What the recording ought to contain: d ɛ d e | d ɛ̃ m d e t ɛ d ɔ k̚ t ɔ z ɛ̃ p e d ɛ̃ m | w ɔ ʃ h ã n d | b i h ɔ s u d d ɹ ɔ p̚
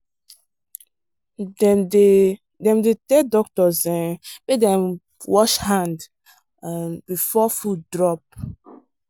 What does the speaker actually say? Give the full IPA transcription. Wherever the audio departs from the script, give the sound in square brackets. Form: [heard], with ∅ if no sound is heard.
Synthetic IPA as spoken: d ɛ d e | d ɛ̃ m d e t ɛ d ɔ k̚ t ɔ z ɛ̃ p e d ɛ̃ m | w ɔ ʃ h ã n d | b i [f] ɔ [f] u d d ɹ ɔ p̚